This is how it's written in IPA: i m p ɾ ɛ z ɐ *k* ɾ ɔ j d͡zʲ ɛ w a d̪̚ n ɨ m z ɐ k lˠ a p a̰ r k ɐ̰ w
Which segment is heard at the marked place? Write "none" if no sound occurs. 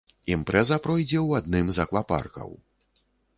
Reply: p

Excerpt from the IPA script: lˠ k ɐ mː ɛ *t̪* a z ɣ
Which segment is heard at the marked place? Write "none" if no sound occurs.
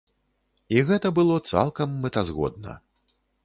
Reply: t̪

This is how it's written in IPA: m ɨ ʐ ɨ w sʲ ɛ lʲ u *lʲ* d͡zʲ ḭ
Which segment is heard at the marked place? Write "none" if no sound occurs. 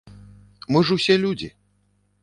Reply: none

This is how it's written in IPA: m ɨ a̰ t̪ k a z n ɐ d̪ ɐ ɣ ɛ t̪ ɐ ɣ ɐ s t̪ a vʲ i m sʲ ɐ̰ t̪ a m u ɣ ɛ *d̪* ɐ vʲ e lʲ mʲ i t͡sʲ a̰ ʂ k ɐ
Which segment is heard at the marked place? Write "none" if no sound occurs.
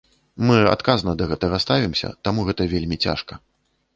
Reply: t̪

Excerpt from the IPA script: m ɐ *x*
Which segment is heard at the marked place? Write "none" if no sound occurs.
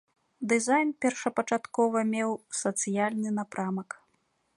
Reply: k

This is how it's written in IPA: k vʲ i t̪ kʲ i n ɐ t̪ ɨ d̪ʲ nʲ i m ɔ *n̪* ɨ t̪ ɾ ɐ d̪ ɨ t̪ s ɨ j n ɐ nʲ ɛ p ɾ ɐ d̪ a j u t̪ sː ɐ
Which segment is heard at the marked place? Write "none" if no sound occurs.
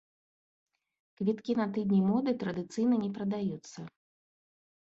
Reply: d̪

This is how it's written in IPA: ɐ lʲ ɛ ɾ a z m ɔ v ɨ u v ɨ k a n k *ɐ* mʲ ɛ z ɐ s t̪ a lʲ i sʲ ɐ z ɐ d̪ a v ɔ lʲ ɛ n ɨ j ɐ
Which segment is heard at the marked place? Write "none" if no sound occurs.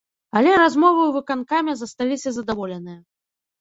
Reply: a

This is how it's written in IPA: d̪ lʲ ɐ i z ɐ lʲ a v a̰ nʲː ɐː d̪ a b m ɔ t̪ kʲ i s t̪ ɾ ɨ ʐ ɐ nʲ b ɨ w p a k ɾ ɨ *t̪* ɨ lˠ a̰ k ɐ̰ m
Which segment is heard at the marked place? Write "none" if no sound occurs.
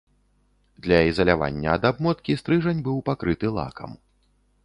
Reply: t̪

